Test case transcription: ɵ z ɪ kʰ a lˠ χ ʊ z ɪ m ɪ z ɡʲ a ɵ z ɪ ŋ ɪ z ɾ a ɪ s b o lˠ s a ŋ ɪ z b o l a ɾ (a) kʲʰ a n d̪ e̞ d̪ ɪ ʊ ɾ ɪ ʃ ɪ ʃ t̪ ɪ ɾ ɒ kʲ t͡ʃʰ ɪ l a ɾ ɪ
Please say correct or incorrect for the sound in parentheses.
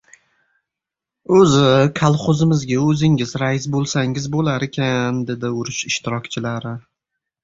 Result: incorrect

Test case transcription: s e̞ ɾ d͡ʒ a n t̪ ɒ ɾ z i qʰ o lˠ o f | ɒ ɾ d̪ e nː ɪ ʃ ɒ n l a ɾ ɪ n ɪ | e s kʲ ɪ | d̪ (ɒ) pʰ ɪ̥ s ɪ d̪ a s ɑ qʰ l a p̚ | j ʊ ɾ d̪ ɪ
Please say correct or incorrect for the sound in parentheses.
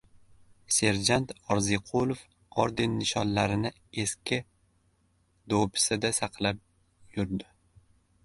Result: incorrect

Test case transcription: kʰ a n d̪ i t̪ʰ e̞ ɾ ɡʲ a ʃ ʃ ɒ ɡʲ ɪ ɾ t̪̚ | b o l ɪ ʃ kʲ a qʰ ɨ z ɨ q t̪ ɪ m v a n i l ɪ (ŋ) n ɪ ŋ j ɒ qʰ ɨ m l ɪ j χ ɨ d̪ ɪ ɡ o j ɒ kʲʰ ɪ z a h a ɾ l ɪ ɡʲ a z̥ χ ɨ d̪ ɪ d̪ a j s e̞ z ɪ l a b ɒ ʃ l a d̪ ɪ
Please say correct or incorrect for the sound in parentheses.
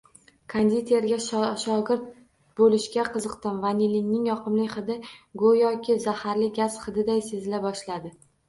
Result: correct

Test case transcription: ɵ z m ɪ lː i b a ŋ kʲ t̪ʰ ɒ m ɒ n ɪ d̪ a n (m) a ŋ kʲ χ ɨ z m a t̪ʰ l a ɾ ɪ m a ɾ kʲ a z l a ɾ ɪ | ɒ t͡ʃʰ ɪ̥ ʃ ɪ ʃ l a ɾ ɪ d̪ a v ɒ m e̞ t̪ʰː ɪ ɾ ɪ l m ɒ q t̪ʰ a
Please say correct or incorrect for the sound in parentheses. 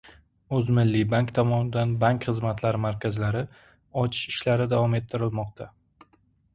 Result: incorrect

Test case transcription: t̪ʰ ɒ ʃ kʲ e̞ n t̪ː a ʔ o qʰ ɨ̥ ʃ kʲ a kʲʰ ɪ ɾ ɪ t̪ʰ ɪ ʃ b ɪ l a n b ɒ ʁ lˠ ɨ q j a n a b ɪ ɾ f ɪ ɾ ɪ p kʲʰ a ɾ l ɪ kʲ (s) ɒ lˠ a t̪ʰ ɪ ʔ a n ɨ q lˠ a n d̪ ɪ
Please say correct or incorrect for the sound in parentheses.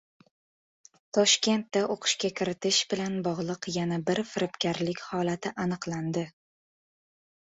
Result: incorrect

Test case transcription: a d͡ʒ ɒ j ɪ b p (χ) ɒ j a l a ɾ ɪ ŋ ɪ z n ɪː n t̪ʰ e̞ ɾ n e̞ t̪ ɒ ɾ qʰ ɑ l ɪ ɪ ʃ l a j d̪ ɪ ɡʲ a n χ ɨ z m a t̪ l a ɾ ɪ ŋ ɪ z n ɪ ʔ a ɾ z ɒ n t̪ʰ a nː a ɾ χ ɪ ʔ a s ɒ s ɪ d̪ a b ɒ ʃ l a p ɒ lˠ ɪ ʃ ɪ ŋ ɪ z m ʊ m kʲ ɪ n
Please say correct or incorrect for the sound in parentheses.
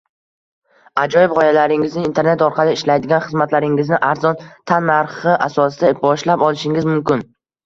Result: incorrect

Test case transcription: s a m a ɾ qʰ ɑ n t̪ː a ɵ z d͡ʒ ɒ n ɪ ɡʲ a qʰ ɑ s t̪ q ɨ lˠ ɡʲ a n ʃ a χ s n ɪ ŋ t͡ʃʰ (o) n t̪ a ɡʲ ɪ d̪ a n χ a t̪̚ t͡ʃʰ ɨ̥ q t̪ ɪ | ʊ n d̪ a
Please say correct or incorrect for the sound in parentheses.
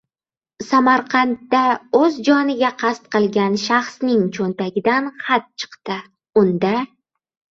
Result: correct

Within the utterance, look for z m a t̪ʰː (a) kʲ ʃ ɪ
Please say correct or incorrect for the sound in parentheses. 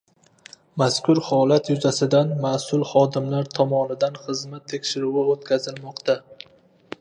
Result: incorrect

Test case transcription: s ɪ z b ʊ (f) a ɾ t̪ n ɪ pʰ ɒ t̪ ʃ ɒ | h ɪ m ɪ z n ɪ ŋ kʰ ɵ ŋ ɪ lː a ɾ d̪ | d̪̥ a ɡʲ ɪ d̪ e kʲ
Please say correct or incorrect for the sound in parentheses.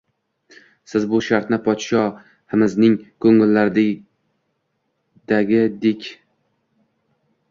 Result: incorrect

